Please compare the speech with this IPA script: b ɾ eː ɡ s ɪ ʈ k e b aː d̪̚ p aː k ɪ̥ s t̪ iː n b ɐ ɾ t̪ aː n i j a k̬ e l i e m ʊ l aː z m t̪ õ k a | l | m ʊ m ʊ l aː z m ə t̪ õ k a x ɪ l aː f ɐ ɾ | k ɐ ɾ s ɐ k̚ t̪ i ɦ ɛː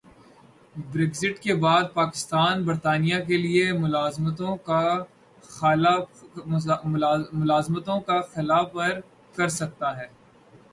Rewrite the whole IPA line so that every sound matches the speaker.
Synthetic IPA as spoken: b ɾ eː ɡ z ɪ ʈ k e b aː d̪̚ p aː k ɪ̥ s t̪ aː n b ɐ ɾ t̪ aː n i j a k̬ e l i e m ʊ l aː z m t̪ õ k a | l | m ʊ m ʊ l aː z m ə t̪ õ k a x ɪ l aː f ɐ ɾ | k ɐ ɾ s ɐ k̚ t̪ a ɦ ɛː

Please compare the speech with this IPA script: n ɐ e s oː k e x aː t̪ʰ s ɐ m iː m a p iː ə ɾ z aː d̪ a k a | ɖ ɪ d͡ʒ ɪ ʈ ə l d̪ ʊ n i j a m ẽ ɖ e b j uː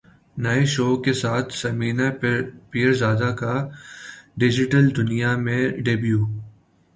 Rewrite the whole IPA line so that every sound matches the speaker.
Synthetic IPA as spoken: n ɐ e ʃ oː k e s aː t̪ʰ s ɐ m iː n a p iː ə ɾ z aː d̪ a k a | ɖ ɪ d͡ʒ ɪ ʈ ə l d̪ ʊ n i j a m ẽ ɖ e b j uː

